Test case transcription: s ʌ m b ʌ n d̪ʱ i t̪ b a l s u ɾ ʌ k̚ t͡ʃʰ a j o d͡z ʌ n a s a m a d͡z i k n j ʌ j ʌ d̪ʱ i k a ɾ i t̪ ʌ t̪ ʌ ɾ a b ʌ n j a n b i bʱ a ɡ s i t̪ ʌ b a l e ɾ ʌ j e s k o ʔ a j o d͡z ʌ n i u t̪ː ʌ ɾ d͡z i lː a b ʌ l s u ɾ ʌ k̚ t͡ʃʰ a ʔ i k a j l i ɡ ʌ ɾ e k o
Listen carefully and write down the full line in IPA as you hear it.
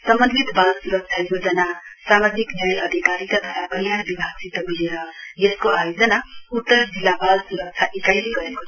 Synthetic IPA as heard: s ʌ m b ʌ n d̪ʱ i t̪ b a l s u ɾ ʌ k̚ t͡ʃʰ a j o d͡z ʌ n a s a m a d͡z i k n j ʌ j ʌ d̪ʱ i k a ɾ i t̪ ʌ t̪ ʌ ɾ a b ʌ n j a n b i bʱ a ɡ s i t̪ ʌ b i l e ɾ ʌ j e s k o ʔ a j o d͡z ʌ n a u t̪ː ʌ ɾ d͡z i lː a b a l s u ɾ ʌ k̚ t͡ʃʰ a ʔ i k a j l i ɡ ʌ ɾ e k o